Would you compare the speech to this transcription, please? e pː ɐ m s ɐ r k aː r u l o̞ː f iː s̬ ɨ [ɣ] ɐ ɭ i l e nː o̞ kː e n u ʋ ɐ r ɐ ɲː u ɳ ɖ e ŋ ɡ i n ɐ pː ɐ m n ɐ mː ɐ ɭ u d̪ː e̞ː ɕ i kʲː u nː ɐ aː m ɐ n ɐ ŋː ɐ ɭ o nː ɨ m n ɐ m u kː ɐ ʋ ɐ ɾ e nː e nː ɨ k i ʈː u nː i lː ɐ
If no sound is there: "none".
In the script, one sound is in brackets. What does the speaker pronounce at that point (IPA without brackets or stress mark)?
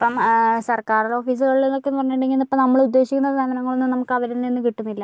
ɣ